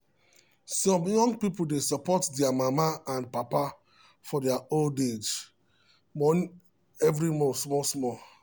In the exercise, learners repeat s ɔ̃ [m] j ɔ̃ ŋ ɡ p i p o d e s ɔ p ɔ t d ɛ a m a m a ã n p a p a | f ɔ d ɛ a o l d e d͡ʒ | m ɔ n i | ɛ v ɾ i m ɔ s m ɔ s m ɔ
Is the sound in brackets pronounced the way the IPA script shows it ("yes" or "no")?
yes